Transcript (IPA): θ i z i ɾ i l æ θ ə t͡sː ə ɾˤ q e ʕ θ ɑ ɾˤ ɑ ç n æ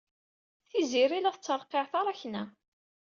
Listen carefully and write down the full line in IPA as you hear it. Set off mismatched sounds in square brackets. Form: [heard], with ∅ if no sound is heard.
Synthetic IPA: θ i z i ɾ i l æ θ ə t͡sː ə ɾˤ q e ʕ θ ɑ ɾˤ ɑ ç n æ